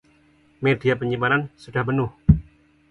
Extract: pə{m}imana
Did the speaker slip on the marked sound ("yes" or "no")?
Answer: yes